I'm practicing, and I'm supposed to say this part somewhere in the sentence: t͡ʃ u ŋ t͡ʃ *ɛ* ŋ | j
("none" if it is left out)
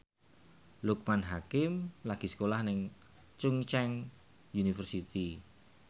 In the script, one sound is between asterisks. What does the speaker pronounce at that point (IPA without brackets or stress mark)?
ɛ